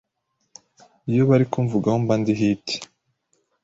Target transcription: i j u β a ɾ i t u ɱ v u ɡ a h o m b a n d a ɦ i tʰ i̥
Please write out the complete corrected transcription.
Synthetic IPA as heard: i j o β a ɾ i k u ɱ v u ɡ a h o m b a n d i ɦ i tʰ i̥